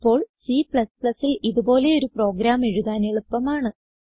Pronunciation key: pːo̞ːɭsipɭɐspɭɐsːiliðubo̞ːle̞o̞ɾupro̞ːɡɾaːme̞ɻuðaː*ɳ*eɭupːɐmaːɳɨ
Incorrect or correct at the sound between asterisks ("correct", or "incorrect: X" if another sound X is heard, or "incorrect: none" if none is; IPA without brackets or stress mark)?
incorrect: n